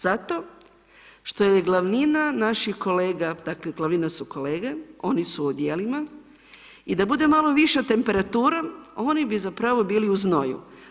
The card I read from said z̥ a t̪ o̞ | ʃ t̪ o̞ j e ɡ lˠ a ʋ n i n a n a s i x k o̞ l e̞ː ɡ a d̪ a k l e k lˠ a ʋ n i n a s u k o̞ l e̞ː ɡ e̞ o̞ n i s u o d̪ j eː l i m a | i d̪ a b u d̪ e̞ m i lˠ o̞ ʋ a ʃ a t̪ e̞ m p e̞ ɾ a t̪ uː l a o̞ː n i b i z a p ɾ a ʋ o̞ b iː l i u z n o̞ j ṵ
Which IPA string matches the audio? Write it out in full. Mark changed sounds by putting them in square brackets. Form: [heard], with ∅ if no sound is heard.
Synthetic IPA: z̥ a t̪ o̞ | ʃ t̪ o̞ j e ɡ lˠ a ʋ n i n a n a [ʃ] i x k o̞ l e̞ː ɡ a d̪ a k l e [ɡ] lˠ a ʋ n i n a s u k o̞ l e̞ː ɡ e̞ o̞ n i s u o d̪ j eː l i m a | i d̪ a b u d̪ e̞ m [a] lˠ o̞ ʋ [i] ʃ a t̪ e̞ m p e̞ ɾ a t̪ uː [ɾ] a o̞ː n i b i z a p ɾ a ʋ o̞ b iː l i u z n o̞ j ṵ

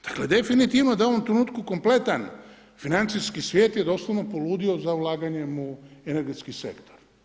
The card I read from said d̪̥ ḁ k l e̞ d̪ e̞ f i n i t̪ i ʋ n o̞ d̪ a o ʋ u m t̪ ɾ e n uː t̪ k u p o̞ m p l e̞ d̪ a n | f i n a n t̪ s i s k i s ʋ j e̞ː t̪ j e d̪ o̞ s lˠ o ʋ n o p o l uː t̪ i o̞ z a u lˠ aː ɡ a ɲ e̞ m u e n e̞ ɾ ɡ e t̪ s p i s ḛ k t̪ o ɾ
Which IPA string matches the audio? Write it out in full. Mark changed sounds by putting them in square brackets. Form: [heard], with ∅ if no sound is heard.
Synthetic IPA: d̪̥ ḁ k l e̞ d̪ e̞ f i n i t̪ i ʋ n o̞ d̪ a o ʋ [o] m t̪ ɾ e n uː t̪ k u [k] o̞ m p l e̞ [t̪] a n | f i n a n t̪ s i s k i s ʋ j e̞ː t̪ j e d̪ o̞ s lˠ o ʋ n o p o l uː [d̪] i o̞ z a u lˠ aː ɡ a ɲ e̞ m u e n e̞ ɾ ɡ e t̪ s [k] i s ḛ k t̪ o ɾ

